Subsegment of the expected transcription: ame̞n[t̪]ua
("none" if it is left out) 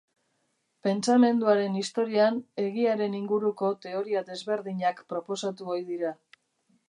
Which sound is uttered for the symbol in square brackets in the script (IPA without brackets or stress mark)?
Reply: d̪